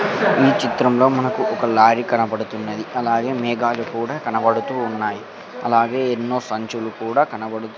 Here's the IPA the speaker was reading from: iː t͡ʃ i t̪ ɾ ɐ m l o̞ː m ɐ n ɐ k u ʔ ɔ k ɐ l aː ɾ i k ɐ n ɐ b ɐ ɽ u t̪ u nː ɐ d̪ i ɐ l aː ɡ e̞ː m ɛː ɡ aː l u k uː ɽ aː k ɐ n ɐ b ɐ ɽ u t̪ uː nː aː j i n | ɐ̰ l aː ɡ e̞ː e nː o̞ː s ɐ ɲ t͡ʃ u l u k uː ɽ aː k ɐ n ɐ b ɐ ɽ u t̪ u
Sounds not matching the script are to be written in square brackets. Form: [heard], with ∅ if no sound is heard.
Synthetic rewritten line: iː t͡ʃ i t̪ ɾ ɐ m l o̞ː m ɐ n ɐ k u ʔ ɔ k ɐ l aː ɾ i k ɐ n ɐ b ɐ ɽ u t̪ u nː ɐ d̪ i ɐ l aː ɡ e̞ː m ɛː ɡ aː l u k uː ɽ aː k ɐ n ɐ b ɐ ɽ u t̪ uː nː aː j i [∅] | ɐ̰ l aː ɡ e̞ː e nː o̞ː s ɐ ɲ t͡ʃ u l u k uː ɽ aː k ɐ n ɐ b ɐ ɽ u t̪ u